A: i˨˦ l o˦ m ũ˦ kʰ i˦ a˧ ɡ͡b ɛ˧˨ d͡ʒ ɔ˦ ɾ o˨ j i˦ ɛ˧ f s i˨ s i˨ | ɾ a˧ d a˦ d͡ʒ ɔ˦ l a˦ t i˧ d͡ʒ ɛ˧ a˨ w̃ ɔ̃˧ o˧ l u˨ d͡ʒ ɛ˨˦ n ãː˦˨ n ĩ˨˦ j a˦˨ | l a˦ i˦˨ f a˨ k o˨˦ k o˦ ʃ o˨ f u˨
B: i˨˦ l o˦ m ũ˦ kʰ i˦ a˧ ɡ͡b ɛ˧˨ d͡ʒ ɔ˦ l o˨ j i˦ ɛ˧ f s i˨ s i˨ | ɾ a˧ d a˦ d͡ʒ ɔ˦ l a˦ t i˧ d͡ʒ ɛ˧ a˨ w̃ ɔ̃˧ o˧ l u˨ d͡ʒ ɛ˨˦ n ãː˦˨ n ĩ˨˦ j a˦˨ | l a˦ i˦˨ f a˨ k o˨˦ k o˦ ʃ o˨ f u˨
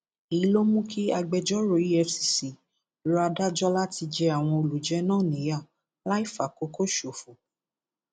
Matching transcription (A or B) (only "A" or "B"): A